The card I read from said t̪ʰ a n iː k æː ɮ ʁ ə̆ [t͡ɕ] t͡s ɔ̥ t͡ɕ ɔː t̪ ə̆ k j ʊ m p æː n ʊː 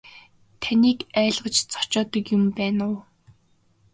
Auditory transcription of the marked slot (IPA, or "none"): t͡ɕ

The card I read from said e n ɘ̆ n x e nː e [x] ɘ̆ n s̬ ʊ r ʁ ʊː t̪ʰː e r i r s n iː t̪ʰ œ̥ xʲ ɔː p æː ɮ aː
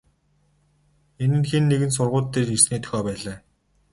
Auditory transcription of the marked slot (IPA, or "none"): ɣ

